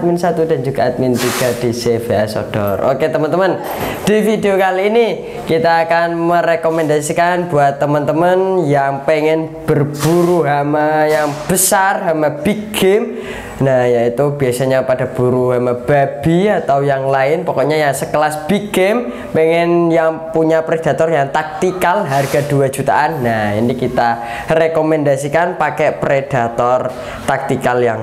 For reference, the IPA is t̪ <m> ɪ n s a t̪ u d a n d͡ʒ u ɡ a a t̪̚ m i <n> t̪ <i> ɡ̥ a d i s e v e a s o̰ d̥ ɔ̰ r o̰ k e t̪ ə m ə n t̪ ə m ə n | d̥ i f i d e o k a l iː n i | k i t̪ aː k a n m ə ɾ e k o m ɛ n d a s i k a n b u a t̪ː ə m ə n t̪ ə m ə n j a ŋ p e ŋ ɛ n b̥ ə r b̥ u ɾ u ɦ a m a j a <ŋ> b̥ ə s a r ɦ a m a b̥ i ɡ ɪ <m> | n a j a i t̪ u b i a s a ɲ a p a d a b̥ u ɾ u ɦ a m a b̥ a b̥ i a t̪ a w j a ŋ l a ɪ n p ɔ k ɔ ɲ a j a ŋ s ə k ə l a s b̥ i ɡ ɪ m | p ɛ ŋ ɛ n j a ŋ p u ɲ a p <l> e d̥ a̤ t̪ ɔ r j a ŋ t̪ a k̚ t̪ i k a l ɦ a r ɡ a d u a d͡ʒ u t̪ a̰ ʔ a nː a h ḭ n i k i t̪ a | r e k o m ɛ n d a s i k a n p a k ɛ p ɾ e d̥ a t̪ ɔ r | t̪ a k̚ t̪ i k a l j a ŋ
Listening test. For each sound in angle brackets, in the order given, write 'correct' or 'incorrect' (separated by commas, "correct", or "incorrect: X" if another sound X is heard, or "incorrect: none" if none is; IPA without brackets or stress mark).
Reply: correct, correct, correct, correct, correct, incorrect: ɾ